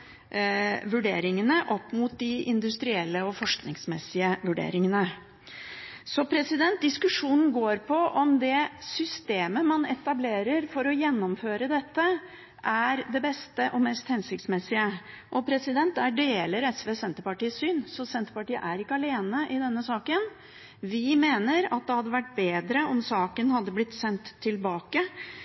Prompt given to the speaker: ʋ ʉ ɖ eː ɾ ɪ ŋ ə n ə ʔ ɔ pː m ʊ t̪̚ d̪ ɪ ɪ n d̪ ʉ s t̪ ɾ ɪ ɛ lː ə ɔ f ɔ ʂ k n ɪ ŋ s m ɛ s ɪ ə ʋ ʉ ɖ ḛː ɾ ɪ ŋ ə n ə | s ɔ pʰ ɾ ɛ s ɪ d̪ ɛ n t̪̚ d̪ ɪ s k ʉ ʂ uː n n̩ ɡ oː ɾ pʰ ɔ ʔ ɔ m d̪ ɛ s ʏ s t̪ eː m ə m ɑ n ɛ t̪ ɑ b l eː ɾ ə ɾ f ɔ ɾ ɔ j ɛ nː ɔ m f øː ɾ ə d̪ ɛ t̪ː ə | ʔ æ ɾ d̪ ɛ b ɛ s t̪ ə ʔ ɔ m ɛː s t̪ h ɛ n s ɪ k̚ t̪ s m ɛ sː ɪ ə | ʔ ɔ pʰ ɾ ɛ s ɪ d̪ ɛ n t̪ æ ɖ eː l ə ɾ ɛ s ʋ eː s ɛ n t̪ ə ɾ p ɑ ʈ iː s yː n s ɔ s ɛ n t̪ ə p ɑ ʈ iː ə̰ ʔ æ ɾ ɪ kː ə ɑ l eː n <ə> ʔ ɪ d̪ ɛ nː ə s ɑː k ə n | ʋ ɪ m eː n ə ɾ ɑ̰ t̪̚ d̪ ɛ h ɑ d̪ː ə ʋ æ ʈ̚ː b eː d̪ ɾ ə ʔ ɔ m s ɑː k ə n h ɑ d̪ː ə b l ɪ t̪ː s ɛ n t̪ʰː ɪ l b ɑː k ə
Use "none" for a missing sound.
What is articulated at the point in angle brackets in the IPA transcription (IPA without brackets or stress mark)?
ə